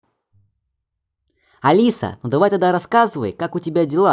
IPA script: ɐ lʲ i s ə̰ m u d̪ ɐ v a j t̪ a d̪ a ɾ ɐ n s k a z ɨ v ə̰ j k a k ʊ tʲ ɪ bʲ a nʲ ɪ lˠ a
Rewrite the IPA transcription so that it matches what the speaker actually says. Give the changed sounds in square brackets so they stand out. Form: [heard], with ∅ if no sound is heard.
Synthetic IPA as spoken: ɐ lʲ i s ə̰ [n] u d̪ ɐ v a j t̪ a d̪ a ɾ ɐ [∅] s k a z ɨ v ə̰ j k a k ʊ tʲ ɪ bʲ a [dʲ] ɪ lˠ a